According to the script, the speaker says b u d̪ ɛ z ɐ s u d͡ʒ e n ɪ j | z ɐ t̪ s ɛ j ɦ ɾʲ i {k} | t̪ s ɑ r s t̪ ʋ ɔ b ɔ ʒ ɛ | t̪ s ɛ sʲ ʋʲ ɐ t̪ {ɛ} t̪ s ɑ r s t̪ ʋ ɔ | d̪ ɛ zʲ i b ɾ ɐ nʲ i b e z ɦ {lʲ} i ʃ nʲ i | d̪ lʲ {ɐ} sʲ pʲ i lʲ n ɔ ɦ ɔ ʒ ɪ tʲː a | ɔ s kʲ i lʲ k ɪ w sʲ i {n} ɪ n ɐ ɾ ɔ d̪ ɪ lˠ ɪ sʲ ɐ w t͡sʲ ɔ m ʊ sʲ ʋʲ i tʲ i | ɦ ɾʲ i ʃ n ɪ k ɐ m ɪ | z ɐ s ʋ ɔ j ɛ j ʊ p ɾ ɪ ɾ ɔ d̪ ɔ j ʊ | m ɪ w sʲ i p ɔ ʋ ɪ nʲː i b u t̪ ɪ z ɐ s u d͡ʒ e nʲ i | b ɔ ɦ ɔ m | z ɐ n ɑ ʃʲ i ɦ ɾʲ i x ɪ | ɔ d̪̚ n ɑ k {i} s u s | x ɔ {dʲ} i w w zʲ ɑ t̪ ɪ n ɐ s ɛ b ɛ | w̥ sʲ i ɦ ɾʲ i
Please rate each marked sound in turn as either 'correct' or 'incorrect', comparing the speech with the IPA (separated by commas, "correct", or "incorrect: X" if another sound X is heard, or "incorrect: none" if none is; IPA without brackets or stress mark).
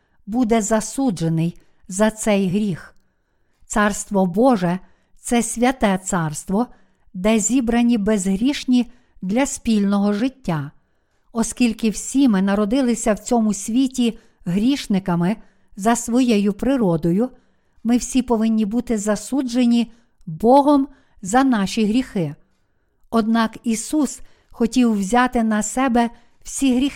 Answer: incorrect: x, correct, incorrect: ɾʲ, correct, incorrect: m, correct, incorrect: tʲ